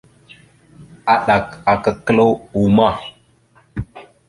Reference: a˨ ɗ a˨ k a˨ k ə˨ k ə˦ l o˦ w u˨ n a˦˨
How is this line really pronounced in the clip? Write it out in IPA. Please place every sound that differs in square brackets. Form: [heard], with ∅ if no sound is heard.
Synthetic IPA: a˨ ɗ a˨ k a˨ k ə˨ k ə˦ l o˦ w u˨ [m] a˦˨